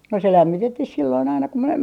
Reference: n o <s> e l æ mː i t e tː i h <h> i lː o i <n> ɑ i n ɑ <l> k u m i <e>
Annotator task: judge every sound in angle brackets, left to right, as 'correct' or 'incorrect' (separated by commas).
correct, incorrect, correct, incorrect, correct